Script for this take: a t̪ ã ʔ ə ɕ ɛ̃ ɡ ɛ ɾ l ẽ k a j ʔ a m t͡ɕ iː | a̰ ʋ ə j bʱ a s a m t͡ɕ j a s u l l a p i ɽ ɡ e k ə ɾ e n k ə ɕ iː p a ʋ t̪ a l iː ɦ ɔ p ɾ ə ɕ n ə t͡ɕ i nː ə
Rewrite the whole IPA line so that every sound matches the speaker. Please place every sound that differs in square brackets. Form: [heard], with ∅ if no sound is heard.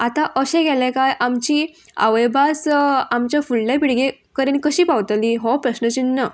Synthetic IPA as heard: a t̪ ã ʔ ə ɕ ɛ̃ ɡ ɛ [∅] l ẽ k a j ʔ a m t͡ɕ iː | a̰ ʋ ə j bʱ a s a m t͡ɕ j a [f] u l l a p i ɽ ɡ e k ə ɾ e n k ə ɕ iː p a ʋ t̪ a l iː ɦ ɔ p ɾ ə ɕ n ə t͡ɕ i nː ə